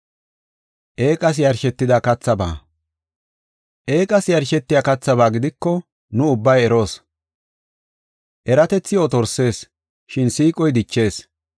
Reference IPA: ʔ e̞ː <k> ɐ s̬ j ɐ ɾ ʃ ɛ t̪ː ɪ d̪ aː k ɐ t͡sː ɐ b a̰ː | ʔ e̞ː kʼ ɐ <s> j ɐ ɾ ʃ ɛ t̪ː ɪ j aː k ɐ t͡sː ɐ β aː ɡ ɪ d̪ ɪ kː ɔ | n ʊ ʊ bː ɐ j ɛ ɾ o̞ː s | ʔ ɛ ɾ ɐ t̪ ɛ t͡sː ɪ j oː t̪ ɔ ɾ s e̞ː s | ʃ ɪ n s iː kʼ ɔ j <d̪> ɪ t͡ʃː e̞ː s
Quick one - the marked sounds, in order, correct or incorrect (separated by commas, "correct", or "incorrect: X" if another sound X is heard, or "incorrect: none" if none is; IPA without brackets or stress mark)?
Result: incorrect: kʼ, correct, correct